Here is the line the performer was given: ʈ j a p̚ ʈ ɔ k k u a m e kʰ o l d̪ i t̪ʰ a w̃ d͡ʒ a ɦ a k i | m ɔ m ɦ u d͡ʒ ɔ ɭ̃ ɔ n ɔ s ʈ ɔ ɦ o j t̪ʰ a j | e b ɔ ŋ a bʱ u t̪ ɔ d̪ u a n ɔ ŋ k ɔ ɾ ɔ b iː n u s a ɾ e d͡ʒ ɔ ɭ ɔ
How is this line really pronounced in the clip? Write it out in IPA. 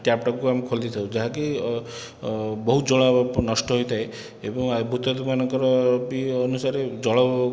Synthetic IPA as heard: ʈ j a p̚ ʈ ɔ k k u a m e kʰ o l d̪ i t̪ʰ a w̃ d͡ʒ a ɦ a k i | b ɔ ɦ u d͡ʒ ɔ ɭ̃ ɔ n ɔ s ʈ ɔ ɦ o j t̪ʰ a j | e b ɔ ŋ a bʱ u t̪ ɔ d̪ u a n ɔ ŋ k ɔ ɾ ɔ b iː n u s a ɾ e d͡ʒ ɔ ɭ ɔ